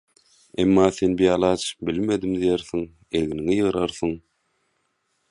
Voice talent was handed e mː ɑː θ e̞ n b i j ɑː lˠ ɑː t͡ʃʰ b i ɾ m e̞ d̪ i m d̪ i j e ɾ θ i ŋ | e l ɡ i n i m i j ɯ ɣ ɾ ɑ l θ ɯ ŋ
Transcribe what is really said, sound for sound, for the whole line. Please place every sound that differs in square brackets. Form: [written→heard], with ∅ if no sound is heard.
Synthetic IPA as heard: e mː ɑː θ e̞ n b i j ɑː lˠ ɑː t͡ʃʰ b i [ɾ→l] m e̞ d̪ i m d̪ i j e ɾ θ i ŋ | e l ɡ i n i [m→ŋ] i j ɯ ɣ ɾ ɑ [l→ɾ] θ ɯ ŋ